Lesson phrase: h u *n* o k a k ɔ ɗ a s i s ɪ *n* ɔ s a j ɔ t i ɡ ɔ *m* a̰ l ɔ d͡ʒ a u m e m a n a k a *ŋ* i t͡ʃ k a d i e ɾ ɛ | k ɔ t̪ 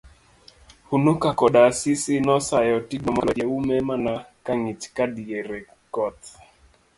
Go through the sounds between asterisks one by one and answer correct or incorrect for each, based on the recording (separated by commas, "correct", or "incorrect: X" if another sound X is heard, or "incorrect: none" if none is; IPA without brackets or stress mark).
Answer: correct, correct, correct, correct